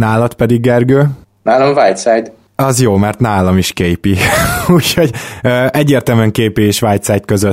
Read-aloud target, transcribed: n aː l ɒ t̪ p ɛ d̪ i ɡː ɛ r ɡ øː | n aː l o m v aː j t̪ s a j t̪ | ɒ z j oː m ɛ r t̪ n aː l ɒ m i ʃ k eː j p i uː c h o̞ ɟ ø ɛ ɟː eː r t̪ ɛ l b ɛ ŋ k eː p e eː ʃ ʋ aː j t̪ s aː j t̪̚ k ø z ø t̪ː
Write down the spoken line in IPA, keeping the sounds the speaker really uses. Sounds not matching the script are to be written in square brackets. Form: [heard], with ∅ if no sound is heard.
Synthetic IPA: n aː l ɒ t̪ p ɛ d̪ i ɡː ɛ r ɡ øː | n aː l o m v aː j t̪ s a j t̪ | ɒ z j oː m ɛ r t̪ n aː l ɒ m i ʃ k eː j p i uː c h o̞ ɟ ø ɛ ɟː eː r t̪ ɛ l [m] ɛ ŋ k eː p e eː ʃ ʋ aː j t̪ s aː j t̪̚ k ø z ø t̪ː